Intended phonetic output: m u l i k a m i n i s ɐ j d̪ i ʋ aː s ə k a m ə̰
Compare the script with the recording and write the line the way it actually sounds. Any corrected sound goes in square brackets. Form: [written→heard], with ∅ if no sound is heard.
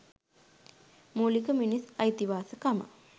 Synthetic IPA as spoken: m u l i k [a→ə] m i n i s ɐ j [d̪→t̪] i ʋ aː s ə k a m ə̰